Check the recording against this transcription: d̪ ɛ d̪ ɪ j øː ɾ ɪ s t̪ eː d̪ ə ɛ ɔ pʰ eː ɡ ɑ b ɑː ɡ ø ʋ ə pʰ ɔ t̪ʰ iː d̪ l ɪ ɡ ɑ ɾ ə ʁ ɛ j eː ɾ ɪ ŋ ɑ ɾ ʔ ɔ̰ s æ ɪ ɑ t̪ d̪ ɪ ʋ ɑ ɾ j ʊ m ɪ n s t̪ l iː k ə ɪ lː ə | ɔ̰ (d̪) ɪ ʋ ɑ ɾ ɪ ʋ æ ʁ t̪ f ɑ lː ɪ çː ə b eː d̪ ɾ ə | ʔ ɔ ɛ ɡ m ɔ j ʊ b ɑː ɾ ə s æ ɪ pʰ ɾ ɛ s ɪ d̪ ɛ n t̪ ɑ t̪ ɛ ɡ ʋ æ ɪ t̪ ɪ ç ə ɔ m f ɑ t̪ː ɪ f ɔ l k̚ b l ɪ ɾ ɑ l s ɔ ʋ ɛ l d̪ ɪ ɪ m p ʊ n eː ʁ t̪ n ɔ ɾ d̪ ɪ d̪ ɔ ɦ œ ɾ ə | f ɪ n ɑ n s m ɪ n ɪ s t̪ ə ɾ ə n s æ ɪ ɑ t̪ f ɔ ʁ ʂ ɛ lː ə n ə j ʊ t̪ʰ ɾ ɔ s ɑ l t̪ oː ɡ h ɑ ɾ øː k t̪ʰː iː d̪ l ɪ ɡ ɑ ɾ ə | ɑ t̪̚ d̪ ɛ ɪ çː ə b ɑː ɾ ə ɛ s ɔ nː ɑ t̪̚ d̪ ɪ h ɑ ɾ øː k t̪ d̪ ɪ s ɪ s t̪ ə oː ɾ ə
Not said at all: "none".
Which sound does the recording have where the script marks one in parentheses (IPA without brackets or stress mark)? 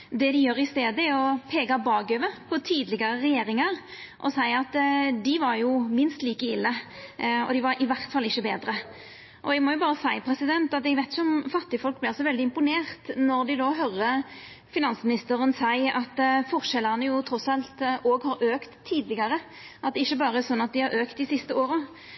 d̪